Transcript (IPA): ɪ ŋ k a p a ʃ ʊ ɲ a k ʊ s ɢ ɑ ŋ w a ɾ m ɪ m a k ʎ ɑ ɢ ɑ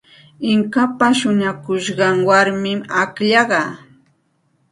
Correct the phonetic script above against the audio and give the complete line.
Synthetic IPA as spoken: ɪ ŋ k a p a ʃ ʊ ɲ a k ʊ ʃ ɢ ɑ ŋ w a ɾ m ɪ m a k ʎ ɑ ɢ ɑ

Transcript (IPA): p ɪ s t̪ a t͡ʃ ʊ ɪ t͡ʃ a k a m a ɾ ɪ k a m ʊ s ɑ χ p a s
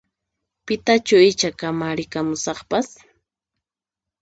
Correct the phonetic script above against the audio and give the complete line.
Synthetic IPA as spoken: p ɪ t̪ a t͡ʃ ʊ ɪ t͡ʃ a k a m a ɾ ɪ k a m ʊ s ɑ χ p a s

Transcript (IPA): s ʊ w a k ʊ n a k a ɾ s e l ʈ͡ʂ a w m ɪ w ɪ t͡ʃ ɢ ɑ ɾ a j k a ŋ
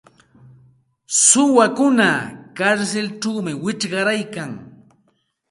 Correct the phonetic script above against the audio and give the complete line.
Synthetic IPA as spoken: s ʊ w a k ʊ n a k a ɾ s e l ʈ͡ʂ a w m ɪ w ɪ t͡ʃ ɢ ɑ ɾ a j k a ŋ

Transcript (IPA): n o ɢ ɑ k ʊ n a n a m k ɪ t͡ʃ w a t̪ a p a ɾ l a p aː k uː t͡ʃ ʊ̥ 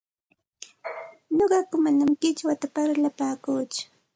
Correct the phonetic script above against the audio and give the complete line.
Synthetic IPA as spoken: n o ɢ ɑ k ʊ m a n a m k ɪ t͡ʃ w a t̪ a p a ɾ l a p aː k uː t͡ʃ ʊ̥

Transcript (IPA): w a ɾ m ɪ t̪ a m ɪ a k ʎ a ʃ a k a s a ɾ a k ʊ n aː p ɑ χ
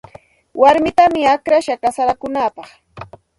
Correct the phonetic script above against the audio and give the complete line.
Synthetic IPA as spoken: w a ɾ m ɪ t̪ a m ɪ a k ɾ a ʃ a k a s a ɾ a k ʊ n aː p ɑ χ

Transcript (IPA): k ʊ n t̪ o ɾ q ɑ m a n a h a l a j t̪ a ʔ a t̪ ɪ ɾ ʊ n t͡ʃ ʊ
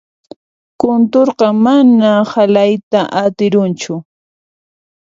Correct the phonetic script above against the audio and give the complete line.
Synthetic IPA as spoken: k ʊ n t̪ o ɾ q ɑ m a n a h a l a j t̪ a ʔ a t̪ ɪ ɾ ʊ n t͡ʃ ʊ

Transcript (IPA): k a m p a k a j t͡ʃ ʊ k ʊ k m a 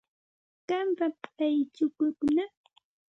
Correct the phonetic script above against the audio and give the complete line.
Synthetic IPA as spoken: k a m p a p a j t͡ʃ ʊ k ʊ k n a

